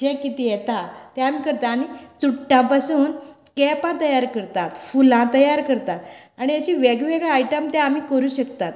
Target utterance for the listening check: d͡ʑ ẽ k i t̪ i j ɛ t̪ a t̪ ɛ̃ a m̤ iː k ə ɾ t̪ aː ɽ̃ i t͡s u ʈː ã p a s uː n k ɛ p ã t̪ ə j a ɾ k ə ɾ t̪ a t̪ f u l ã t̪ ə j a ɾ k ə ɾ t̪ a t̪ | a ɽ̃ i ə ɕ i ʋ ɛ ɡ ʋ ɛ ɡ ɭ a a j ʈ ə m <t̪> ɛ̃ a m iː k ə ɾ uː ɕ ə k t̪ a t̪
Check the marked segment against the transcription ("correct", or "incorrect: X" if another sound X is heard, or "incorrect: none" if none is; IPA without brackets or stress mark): correct